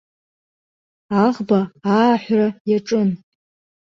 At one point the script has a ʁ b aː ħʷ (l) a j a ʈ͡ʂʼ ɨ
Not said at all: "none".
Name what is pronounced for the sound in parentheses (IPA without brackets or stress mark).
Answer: r